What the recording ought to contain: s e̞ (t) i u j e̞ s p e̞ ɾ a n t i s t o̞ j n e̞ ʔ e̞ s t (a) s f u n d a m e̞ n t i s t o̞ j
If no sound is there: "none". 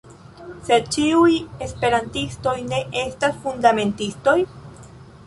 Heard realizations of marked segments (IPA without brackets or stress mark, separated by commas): t͡ʃ, a